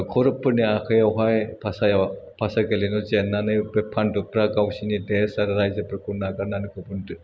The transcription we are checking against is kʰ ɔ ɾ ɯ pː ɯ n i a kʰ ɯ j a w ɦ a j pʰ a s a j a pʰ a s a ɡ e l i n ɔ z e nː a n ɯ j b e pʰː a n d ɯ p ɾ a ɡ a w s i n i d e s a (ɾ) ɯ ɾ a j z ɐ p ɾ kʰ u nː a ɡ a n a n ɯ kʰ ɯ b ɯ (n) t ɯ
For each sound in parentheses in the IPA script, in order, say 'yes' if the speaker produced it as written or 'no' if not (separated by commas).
yes, yes